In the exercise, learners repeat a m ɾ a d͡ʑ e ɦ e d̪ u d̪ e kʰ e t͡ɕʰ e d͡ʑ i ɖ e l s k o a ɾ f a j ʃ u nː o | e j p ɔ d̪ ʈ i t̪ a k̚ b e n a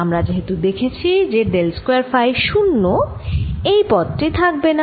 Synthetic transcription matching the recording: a m ɾ a d͡ʑ e ɦ e t̪ u d̪ e kʰ e t͡ɕʰ i d͡ʑ e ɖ e l s k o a ɾ f a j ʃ u nː o | e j p ɔ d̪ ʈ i t̪ʰ a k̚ b e n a